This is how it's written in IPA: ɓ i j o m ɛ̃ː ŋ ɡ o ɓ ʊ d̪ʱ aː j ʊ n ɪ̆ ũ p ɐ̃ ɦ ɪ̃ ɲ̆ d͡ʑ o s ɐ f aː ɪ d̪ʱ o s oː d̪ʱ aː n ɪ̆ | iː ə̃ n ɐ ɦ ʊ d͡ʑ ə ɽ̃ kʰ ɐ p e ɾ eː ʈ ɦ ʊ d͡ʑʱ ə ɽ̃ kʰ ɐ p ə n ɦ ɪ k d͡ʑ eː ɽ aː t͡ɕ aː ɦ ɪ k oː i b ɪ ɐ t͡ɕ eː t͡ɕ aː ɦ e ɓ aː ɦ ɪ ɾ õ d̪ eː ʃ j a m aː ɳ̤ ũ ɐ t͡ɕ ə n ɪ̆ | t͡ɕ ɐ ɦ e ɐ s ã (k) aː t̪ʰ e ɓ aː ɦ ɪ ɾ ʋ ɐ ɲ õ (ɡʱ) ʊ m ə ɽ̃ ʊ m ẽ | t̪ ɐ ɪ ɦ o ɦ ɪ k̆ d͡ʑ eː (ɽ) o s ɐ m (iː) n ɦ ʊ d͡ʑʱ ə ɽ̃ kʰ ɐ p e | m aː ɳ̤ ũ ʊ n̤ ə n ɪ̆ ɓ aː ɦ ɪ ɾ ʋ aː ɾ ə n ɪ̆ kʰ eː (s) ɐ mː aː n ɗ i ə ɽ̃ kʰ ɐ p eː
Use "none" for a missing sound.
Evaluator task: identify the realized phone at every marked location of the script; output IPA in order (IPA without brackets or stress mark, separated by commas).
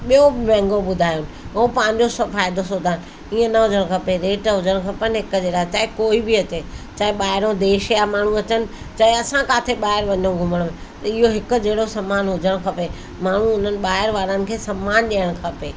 k, ɡʱ, ɽ, aː, s